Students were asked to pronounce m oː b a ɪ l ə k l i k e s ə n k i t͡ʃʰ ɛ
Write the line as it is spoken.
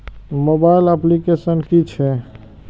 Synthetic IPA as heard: m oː b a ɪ l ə p l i k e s ə n k i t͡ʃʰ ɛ

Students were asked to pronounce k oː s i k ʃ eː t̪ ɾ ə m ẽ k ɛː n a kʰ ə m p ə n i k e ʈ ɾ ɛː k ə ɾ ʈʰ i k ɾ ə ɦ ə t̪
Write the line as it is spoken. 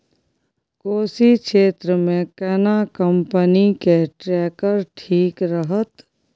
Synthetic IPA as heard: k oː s i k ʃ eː t̪ ɾ ə m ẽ k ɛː n a k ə m p ə n i k e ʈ ɾ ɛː k ə ɾ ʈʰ iː k ɾ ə ɦ ə t̪

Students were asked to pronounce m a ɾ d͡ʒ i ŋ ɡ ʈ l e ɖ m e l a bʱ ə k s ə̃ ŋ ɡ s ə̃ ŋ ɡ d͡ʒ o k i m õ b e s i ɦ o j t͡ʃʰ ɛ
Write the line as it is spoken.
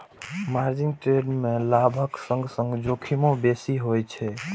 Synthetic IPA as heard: m a ɾ d͡ʒ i ŋ ɡ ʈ ɾ e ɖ m e l a bʱ ə k s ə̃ ŋ ɡ s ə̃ ŋ ɡ d͡ʒ o kʰ i m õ b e s i ɦ o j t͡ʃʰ ɛ

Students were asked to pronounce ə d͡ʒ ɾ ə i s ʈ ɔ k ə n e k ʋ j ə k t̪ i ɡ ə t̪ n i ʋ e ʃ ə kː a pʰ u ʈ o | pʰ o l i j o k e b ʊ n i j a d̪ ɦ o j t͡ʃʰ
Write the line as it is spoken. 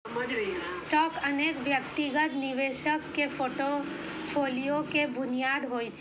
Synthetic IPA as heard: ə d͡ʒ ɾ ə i s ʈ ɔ k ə n e k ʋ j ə k t̪ i ɡ ə t̪ n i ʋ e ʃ ə kː e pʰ o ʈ o | pʰ o l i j o k e b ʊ n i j a d̪ ɦ o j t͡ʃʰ

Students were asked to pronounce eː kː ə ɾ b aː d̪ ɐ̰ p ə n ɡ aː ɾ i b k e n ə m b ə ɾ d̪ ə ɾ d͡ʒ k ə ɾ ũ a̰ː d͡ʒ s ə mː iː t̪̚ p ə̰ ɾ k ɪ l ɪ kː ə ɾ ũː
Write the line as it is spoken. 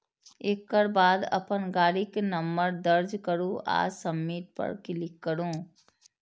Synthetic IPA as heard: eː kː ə ɾ b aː d̪ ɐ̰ p ə n ɡ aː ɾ i k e n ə m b ə ɾ d̪ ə ɾ d͡ʒ k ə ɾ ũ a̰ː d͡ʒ s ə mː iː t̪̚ p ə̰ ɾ k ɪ l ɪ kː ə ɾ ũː

